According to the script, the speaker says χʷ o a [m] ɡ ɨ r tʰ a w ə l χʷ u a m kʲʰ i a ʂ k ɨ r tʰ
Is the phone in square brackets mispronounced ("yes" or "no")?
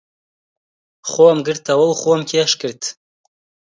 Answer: no